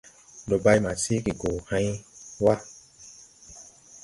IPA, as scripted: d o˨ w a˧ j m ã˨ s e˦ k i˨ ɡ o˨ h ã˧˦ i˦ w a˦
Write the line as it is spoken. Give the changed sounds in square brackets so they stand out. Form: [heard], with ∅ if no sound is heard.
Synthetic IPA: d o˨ [b] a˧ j m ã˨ s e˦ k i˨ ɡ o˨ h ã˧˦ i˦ w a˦